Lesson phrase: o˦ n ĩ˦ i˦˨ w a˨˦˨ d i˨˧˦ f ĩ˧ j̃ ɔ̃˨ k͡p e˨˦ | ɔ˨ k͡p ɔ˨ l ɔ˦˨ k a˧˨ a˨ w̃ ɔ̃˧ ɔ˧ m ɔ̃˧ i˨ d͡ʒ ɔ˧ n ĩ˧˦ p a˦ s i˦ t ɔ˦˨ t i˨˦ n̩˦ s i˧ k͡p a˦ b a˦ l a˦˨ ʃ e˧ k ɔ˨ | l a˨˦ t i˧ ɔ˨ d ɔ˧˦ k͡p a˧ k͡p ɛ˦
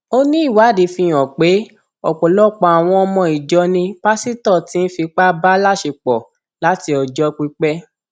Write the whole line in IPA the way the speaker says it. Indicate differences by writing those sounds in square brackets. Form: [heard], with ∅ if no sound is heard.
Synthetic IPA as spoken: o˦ n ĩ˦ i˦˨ w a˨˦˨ d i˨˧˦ f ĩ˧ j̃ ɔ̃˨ k͡p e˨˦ | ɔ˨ k͡p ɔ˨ l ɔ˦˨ [k͡p] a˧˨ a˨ w̃ ɔ̃˧ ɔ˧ m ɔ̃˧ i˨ d͡ʒ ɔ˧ n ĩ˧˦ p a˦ s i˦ t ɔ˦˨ t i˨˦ n̩˦ [f] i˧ k͡p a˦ b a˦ l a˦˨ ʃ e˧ [k͡p] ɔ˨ | l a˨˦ t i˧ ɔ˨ [d͡ʒ] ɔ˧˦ k͡p [i˧] k͡p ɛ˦

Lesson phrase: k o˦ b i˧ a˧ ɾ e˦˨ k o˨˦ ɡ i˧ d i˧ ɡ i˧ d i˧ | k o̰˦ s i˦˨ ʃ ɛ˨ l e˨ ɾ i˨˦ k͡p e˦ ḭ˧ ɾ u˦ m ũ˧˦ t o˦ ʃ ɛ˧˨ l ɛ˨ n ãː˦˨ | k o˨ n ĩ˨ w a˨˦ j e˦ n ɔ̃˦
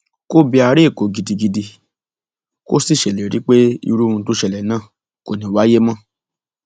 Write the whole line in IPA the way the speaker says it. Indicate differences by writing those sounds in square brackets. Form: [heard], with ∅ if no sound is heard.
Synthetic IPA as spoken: k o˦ b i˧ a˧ ɾ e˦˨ k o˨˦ ɡ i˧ d i˧ ɡ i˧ d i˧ | k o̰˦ s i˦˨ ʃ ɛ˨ l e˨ ɾ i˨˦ k͡p e˦ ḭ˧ ɾ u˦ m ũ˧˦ t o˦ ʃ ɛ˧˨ l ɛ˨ n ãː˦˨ | k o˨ n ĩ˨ w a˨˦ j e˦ [m] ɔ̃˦

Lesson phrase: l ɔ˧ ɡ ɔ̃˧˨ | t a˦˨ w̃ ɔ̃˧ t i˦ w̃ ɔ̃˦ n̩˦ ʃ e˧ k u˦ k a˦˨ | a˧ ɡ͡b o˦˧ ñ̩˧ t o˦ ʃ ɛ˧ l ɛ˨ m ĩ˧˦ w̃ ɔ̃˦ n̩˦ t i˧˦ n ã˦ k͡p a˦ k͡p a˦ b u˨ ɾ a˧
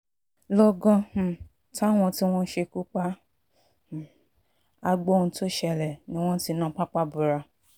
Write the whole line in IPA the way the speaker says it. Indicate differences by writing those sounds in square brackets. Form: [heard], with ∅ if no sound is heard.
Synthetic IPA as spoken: l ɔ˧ ɡ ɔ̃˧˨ | t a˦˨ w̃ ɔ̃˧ t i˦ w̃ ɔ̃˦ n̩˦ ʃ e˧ k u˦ [k͡p] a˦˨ | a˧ ɡ͡b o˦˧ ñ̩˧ t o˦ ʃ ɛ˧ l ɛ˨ [n] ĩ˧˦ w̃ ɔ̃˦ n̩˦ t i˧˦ n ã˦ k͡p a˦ k͡p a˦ b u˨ ɾ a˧

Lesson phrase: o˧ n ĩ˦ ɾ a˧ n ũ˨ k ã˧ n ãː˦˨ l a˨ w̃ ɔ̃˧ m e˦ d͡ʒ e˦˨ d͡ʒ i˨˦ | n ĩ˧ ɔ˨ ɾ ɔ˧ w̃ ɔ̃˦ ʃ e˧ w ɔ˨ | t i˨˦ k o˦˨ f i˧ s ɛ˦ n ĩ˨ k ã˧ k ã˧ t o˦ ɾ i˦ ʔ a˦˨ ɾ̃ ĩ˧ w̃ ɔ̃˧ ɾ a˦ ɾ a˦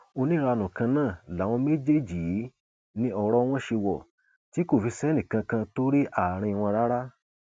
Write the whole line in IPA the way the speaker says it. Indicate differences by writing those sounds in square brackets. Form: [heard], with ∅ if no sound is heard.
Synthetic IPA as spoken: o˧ n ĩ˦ ɾ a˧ n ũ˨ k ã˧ n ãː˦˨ l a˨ w̃ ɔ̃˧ m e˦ d͡ʒ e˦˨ d͡ʒ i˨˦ | n ĩ˧ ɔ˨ ɾ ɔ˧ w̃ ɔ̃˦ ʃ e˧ w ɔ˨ | t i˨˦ k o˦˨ f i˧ s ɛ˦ n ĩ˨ k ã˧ k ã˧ t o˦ ɾ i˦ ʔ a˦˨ ɾ̃ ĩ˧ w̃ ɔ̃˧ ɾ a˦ ɾ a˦

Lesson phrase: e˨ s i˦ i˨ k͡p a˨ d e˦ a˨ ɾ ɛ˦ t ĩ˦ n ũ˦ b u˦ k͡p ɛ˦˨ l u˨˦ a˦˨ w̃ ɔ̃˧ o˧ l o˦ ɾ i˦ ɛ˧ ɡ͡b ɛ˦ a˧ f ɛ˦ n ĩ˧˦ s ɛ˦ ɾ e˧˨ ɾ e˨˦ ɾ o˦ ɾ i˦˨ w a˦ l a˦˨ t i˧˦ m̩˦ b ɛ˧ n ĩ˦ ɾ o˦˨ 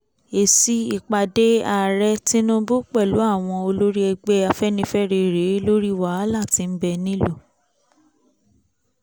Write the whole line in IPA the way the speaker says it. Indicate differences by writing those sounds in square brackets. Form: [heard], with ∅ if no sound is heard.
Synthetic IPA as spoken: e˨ s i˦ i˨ k͡p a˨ d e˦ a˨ ɾ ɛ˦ t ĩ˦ n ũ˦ b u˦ k͡p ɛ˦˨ l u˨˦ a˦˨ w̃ ɔ̃˧ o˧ l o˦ ɾ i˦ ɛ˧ ɡ͡b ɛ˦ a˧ f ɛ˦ n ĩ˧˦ [f] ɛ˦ ɾ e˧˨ ɾ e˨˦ [l] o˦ ɾ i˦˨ w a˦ l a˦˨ t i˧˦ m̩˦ b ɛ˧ n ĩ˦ [l] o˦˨

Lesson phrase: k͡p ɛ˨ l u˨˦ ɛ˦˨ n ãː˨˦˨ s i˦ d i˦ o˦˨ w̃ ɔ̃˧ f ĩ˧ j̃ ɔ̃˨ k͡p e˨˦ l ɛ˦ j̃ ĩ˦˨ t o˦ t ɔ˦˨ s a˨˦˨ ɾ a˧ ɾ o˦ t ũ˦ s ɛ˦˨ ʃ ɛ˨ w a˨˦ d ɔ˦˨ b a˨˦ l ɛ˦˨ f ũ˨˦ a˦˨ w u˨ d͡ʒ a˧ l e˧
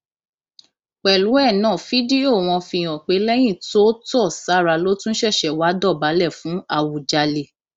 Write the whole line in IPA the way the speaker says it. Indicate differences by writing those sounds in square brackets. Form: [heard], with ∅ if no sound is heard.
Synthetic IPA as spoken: k͡p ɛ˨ l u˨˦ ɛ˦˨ n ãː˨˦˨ [f] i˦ d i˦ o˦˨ w̃ ɔ̃˧ f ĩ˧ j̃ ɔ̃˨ k͡p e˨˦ l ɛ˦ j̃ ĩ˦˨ t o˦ t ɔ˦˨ s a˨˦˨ ɾ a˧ [l] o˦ t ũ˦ [ʃ] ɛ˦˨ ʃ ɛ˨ w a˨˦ d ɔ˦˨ b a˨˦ l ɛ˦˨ f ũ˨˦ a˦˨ w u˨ d͡ʒ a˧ l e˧

